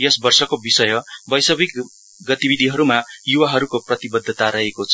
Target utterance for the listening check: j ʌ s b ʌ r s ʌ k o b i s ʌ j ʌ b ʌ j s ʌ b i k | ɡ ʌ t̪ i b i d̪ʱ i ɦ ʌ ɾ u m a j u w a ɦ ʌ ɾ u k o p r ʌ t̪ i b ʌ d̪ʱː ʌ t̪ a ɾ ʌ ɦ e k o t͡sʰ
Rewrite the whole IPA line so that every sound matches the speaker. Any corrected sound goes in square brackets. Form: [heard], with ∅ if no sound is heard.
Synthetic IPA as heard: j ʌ s b ʌ r s ʌ k o b i s ʌ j ʌ b ʌ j s ʌ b i k | ɡ ʌ t̪ i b i d̪ʱ i ɦ ʌ ɾ u m a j u w a ɦ ʌ ɾ u k o p r ʌ t̪ i b ʌ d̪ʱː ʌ t̪ a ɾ ʌ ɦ e k o t͡sʰ